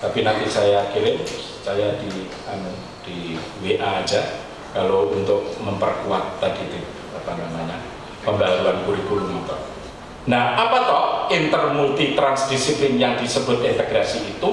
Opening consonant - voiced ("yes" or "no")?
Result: no